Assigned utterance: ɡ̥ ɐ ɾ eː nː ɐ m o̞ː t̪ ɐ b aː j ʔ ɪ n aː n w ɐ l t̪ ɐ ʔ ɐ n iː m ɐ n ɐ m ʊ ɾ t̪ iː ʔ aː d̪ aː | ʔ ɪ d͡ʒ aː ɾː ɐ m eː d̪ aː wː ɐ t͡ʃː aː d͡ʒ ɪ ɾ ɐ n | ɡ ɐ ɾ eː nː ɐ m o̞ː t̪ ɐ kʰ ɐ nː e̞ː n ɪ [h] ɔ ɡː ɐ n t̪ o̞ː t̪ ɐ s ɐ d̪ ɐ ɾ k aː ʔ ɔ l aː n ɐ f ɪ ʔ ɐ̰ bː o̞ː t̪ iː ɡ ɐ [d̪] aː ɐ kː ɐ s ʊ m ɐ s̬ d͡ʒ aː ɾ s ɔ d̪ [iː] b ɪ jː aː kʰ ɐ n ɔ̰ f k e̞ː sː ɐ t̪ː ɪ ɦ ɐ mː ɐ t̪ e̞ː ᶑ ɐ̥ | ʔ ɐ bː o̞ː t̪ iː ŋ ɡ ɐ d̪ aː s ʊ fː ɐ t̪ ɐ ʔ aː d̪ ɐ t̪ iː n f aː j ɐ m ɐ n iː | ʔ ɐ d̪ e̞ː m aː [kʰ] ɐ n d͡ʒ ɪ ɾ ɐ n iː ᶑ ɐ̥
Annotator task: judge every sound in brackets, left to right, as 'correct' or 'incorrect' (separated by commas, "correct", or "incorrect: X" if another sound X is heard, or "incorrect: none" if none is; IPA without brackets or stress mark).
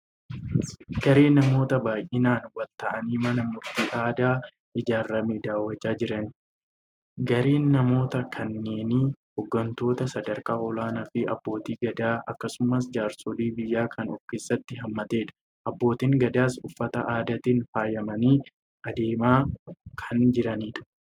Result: correct, correct, correct, correct